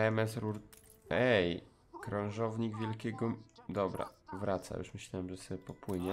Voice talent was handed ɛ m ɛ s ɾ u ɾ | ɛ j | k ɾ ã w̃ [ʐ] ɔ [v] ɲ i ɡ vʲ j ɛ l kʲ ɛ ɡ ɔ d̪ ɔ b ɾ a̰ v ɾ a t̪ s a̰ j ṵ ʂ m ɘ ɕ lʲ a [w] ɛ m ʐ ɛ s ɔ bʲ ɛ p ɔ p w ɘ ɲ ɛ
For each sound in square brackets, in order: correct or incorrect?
correct, correct, correct

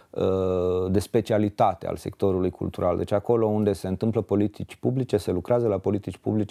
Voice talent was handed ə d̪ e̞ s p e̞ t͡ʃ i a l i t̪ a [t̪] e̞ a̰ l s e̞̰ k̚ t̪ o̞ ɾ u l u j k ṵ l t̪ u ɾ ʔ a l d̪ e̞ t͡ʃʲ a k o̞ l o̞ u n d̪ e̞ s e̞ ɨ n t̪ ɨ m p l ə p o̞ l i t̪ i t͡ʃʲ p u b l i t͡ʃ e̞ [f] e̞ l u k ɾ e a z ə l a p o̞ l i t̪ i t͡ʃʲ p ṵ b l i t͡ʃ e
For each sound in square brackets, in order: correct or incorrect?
correct, incorrect: s

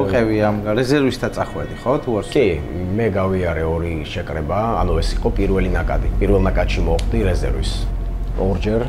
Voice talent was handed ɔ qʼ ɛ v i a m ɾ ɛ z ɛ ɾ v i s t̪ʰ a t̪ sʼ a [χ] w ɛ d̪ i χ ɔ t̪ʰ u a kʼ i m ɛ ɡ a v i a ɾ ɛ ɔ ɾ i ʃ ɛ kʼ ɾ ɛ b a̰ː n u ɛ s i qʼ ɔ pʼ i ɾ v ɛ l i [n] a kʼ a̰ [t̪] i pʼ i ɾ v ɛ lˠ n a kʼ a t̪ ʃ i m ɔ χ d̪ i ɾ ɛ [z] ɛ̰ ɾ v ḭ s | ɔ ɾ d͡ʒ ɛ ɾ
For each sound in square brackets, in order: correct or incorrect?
correct, correct, incorrect: d̪, correct

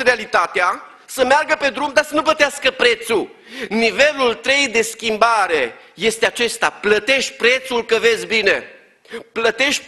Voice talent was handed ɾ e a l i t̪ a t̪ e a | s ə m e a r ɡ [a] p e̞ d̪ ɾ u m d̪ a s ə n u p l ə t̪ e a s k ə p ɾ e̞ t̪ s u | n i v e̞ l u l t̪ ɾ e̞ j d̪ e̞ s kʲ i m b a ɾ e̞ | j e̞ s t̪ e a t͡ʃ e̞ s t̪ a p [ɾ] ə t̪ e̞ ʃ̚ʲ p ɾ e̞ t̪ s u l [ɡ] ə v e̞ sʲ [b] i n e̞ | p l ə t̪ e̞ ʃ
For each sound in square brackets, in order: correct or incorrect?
incorrect: ə, incorrect: l, incorrect: k, correct

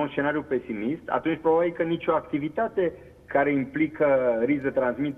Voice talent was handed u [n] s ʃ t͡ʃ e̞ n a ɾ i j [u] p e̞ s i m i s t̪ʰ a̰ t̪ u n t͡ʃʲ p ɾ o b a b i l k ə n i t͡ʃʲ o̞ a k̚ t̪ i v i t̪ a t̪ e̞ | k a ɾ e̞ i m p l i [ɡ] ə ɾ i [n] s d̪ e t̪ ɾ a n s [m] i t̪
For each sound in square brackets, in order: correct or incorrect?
correct, correct, incorrect: k, incorrect: none, correct

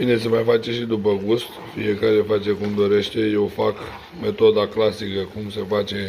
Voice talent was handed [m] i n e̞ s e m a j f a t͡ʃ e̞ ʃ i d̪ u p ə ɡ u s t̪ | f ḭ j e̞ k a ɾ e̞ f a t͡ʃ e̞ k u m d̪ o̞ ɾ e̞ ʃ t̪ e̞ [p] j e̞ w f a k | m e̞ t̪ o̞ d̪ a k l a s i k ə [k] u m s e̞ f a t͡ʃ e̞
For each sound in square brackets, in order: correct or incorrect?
incorrect: b, incorrect: none, correct

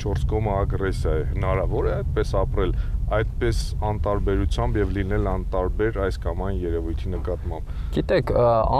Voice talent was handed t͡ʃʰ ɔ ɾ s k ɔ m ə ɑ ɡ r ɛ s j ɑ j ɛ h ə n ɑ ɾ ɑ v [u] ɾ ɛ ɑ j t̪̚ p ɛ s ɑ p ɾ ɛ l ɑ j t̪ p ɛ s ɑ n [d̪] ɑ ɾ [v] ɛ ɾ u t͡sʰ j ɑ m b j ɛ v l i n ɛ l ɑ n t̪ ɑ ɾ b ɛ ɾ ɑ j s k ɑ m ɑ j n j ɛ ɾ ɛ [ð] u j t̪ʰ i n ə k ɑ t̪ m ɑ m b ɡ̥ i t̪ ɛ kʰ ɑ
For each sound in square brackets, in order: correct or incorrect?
incorrect: ɔ, incorrect: t̪, incorrect: b, incorrect: v

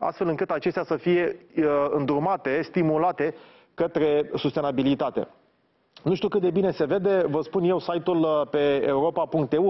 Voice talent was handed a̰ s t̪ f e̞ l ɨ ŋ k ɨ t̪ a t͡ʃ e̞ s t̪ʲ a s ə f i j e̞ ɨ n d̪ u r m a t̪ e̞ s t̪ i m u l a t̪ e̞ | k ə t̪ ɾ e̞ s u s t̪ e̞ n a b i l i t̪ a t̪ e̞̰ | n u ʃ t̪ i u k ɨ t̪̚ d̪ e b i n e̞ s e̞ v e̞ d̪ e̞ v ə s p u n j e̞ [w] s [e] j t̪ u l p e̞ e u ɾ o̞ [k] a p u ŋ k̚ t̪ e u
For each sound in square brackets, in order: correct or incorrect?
correct, incorrect: a, incorrect: p

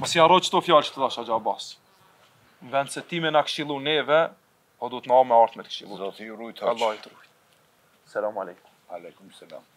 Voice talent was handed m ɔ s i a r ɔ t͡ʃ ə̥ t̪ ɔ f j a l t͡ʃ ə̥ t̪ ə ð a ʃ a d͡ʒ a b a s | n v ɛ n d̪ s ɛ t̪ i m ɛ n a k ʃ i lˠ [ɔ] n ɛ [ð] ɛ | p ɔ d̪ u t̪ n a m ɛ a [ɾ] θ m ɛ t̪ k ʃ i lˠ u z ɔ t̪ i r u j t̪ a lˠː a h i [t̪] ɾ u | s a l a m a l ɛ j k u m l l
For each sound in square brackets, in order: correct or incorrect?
incorrect: u, incorrect: v, correct, correct

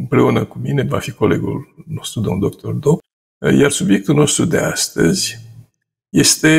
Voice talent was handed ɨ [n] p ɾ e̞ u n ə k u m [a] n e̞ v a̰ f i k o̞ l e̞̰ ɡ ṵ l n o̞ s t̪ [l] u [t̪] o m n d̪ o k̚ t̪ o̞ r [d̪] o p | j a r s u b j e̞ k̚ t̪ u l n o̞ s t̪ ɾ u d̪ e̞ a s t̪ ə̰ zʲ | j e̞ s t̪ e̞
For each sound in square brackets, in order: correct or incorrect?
incorrect: m, incorrect: i, incorrect: ɾ, incorrect: d̪, correct

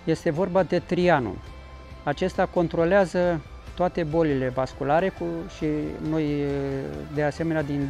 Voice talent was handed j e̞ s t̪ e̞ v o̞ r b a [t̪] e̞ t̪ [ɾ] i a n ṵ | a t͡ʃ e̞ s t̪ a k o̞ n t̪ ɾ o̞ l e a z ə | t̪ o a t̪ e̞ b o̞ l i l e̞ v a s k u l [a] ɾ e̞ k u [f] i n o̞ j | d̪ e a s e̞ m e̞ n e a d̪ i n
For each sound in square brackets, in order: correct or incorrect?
incorrect: d̪, correct, correct, incorrect: ʃ

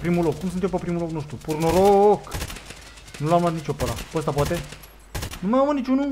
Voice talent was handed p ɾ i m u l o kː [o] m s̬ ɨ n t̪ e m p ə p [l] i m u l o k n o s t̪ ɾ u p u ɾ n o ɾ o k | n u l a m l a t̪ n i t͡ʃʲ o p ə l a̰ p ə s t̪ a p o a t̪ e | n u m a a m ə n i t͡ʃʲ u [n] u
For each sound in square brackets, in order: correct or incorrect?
incorrect: u, incorrect: ɾ, correct

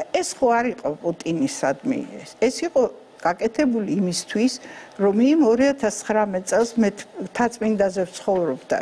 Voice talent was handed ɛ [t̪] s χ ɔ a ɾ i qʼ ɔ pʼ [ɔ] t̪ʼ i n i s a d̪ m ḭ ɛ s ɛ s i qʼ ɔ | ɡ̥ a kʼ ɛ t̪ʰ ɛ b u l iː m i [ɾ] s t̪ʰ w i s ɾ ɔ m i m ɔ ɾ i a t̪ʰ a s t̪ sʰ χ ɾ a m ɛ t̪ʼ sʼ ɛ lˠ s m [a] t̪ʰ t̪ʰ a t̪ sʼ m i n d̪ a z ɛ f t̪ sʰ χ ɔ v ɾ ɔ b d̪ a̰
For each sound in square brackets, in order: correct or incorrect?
incorrect: none, incorrect: u, incorrect: none, incorrect: ɛ

